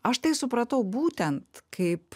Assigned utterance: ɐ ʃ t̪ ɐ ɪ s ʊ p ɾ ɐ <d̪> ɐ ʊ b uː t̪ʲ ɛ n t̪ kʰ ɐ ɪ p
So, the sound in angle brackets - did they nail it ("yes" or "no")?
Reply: no